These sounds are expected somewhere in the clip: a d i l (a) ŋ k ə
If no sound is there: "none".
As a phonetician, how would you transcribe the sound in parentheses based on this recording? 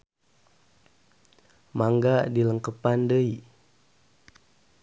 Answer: ə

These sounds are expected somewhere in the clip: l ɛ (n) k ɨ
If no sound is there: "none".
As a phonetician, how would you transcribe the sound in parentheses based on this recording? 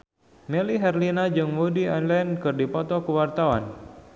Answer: n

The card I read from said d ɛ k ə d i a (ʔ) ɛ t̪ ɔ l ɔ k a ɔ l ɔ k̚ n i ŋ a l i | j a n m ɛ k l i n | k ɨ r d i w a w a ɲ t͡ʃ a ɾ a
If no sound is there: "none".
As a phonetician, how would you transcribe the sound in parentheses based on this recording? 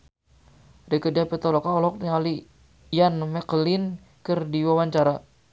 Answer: p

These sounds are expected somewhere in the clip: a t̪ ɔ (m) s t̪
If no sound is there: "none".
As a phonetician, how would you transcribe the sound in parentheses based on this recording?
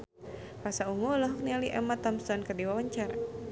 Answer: m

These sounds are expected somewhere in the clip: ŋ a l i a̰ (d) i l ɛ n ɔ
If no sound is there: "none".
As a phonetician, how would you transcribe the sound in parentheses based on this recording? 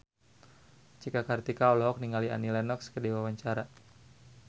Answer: n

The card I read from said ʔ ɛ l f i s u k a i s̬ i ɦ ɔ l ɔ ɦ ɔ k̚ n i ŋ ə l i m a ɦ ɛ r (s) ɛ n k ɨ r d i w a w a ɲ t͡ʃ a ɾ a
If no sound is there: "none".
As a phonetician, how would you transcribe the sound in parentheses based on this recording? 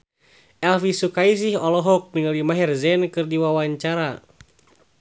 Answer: z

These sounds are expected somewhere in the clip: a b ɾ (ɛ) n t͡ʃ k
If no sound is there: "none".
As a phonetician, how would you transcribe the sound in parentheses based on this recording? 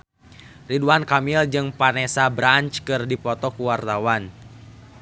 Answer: a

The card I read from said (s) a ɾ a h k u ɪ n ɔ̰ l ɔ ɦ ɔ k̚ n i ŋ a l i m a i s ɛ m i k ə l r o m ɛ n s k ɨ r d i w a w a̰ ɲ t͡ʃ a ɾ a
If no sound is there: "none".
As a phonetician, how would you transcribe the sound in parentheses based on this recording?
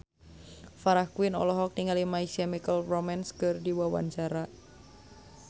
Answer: f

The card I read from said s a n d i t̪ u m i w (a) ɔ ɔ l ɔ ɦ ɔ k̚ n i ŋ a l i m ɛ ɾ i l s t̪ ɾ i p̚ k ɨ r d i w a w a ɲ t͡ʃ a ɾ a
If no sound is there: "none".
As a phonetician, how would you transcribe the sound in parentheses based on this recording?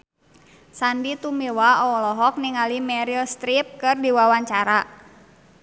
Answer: a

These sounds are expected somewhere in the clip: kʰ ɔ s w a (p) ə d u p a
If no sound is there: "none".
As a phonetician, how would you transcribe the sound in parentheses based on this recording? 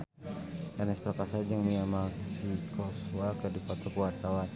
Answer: k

